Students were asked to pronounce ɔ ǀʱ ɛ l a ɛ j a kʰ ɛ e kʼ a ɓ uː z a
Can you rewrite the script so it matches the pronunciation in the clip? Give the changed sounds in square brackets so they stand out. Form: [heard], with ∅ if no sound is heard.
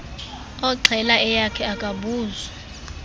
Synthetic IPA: ɔ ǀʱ ɛ l a ɛ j a kʰ ɛ [a] kʼ a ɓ uː z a